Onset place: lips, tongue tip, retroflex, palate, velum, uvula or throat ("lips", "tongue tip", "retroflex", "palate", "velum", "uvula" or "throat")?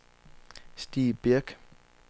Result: tongue tip